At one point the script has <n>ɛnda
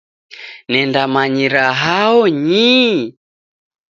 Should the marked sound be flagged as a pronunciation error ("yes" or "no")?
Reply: no